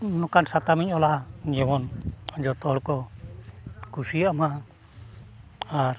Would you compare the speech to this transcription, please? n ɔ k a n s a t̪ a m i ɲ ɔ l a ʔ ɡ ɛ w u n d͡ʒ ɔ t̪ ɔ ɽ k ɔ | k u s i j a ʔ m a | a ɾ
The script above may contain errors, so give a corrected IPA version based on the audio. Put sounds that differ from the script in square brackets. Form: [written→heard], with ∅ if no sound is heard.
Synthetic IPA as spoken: n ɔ k a n s a t̪ a m i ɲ ɔ l a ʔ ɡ ɛ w [u→ɔ] n d͡ʒ ɔ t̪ ɔ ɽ k ɔ | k u s i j a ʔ m a | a ɾ